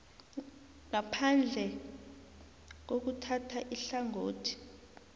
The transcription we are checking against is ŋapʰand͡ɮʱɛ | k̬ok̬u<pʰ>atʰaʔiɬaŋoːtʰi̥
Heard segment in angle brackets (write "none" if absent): tʰ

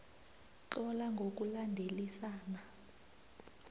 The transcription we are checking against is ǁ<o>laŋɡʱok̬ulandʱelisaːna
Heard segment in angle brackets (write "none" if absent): ɔ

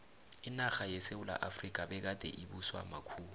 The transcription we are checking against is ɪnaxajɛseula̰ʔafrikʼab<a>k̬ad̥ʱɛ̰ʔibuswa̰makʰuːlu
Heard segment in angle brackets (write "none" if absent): ɛ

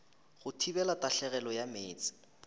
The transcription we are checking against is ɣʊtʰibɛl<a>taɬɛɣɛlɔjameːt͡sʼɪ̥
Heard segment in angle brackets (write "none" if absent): a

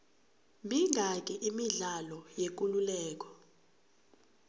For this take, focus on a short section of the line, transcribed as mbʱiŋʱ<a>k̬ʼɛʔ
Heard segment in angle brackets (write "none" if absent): a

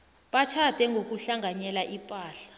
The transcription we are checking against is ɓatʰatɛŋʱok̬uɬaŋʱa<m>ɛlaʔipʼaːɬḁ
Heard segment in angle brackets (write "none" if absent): ɲ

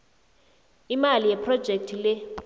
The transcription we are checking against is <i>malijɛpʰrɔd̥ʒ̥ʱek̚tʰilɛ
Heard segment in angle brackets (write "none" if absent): i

